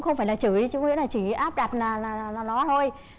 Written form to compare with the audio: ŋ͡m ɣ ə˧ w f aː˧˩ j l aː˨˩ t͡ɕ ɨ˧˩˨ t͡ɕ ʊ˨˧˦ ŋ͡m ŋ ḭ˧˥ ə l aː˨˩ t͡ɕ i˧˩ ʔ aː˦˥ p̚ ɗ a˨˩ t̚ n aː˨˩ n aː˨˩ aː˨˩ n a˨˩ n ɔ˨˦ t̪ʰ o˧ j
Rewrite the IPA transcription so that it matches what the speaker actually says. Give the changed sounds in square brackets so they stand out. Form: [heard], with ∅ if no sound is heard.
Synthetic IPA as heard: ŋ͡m [x] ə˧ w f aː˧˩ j l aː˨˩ t͡ɕ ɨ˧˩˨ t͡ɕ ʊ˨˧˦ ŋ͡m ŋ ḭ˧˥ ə l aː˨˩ t͡ɕ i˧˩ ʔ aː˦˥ p̚ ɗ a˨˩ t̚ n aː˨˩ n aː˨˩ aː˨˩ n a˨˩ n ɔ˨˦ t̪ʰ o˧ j